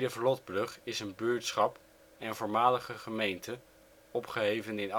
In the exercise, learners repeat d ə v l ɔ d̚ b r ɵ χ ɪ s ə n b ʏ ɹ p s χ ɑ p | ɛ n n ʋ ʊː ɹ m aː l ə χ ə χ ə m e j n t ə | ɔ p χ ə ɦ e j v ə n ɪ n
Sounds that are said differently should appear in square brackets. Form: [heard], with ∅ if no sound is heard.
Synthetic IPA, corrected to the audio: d ə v l ɔ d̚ b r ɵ χ ɪ s ə n b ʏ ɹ [t] s χ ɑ p | ɛ n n [v] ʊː ɹ m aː l ə χ ə χ ə m e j n t ə | ɔ p χ ə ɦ e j v ə n ɪ n